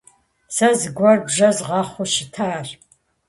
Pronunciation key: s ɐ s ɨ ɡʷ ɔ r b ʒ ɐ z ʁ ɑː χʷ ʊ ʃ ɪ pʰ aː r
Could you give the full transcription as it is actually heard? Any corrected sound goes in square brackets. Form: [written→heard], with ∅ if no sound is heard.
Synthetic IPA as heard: s ɐ [s→z] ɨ ɡʷ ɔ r b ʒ ɐ z ʁ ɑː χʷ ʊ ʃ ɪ [pʰ→tʰ] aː r